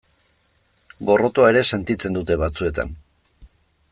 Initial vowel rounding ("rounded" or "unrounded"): rounded